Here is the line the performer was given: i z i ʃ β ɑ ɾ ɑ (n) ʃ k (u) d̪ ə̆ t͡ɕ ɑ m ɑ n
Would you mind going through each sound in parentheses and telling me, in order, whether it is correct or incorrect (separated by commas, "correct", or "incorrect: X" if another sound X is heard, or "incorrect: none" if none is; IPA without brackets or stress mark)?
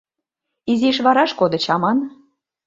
incorrect: none, incorrect: o